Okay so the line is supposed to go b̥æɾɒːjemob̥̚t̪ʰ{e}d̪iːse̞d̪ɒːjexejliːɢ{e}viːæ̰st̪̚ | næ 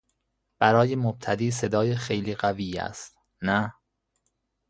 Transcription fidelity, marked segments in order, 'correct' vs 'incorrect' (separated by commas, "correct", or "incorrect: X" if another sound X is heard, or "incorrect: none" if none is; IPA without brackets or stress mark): incorrect: æ, incorrect: æ